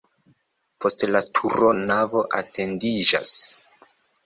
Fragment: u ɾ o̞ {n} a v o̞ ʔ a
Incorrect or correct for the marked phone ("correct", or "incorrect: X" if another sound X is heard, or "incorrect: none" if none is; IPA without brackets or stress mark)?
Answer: correct